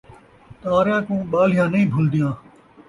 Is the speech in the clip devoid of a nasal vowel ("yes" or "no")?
no